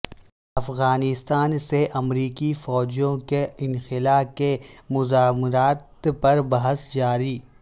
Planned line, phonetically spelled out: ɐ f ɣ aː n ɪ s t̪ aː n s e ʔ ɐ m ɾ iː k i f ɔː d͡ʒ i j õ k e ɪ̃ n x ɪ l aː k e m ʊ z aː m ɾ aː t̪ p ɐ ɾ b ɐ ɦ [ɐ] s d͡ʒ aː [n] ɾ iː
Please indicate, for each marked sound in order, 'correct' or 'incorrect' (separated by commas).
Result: incorrect, incorrect